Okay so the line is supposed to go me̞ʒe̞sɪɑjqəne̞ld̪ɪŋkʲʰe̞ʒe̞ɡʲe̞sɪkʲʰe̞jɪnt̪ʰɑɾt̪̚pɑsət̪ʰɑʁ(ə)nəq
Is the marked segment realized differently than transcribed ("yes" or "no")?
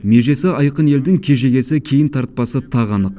yes